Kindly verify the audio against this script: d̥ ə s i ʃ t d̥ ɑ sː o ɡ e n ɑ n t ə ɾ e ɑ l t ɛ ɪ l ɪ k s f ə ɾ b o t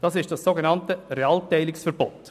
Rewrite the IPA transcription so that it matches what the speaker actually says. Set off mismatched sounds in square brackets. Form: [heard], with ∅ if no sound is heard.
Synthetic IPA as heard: d̥ [ɑ] s [ɪ] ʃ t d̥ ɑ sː o ɡ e n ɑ n t ə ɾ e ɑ l t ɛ ɪ l ɪ k s f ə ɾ b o t